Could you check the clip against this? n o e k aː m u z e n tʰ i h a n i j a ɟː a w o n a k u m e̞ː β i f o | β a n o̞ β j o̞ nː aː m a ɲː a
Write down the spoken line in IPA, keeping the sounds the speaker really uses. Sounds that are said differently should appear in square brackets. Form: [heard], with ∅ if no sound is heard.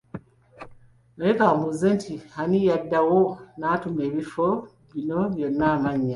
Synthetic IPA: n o e k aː m u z e n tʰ i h a n i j a [dː] a w o n a [t] u m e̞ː β i f o | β [i] n o̞ β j o̞ nː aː m a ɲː a